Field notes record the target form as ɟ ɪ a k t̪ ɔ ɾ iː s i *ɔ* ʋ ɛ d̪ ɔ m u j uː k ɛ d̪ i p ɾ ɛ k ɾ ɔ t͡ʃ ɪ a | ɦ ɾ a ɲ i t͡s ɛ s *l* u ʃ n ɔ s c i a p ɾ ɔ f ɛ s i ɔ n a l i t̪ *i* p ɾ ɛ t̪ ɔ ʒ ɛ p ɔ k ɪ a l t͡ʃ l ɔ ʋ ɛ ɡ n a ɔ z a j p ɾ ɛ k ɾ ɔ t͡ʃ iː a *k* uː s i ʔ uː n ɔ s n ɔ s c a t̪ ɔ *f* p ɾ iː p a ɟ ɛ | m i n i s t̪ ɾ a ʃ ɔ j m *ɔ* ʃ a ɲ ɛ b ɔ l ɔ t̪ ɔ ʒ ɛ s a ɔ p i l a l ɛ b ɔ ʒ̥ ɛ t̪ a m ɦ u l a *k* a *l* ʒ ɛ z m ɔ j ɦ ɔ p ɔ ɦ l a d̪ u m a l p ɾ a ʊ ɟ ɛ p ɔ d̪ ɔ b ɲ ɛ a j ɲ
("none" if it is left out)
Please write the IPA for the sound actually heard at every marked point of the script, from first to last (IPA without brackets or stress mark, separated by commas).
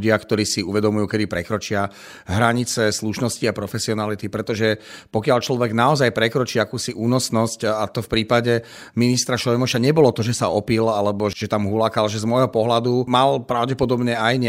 u, l, i, k, f, ɔ, k, l